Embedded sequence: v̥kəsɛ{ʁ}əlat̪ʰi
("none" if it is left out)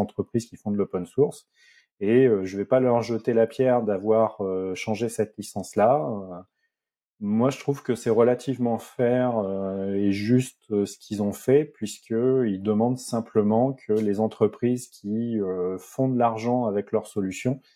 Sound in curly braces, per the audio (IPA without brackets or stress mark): ʁ